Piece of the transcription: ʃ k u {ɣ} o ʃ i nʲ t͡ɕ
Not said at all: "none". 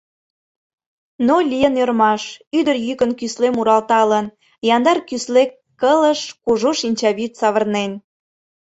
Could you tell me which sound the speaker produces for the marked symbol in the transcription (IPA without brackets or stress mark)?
ʒ